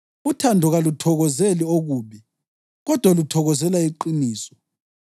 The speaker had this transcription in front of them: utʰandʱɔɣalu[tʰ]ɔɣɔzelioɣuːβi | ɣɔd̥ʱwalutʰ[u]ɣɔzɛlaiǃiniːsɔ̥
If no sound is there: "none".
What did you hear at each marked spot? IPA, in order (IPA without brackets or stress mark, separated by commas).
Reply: tʰ, ɔ